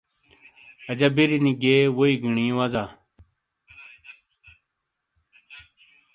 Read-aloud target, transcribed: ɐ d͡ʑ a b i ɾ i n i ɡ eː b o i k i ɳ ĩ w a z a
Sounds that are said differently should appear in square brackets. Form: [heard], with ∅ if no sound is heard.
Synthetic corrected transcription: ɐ d͡ʑ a b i ɾ i n i ɡ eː [w] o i [ɡ] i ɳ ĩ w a z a